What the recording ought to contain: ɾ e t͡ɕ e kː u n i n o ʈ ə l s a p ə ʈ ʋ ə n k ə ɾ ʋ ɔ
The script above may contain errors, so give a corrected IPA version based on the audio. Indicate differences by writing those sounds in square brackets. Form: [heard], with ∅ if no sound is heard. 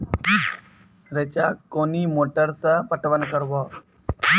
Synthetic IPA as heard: ɾ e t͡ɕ [a] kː [o] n i [m] o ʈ ə [ɾ] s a p ə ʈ ʋ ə n k ə ɾ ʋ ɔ